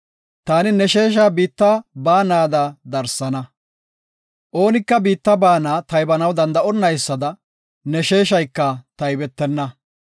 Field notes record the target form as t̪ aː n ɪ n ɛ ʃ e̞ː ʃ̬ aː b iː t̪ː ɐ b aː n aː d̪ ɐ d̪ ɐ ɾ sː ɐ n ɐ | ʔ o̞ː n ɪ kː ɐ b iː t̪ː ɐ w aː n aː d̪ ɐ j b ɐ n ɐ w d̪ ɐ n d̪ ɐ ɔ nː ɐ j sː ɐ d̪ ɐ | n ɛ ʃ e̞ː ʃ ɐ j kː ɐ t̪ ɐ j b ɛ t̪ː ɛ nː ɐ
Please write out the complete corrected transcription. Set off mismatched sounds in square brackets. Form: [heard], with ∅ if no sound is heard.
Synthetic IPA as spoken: t̪ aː n ɪ n ɛ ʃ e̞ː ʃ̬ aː b iː t̪ː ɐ b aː n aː d̪ ɐ d̪ ɐ ɾ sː ɐ n ɐ | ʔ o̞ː n ɪ kː ɐ b iː t̪ː ɐ [b] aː n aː [t̪] ɐ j b ɐ n ɐ w d̪ ɐ n d̪ ɐ ɔ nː ɐ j sː ɐ d̪ ɐ | n ɛ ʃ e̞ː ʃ ɐ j kː ɐ t̪ ɐ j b ɛ t̪ː ɛ nː ɐ